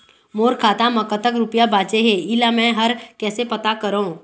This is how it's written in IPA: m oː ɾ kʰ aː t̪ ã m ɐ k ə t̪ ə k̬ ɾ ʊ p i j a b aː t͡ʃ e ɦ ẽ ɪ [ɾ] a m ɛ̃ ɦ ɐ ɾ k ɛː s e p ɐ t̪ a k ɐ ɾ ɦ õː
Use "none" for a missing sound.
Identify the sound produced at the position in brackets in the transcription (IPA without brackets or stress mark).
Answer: l